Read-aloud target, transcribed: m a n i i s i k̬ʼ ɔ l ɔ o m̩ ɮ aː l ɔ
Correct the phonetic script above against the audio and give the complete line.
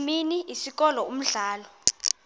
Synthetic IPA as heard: m i n i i s i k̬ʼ ɔ l ɔ u m̩ ɮ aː l ɔ